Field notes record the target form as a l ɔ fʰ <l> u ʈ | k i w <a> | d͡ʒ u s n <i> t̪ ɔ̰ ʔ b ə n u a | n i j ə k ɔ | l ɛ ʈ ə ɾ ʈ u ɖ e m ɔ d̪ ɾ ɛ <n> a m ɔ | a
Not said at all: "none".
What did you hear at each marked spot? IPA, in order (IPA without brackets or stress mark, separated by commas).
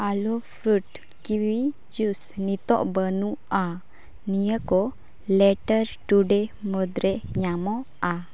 ɾ, i, i, ɲ